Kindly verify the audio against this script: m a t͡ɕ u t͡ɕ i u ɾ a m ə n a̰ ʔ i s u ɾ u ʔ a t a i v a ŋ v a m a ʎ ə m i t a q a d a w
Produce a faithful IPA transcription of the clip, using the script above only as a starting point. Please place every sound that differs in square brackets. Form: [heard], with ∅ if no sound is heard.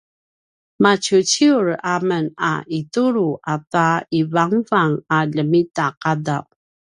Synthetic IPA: m a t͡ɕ u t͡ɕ i u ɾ a m ə n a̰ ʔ i [t] u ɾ u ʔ a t a i v a ŋ v a [ŋ] a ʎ ə m i t a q a d a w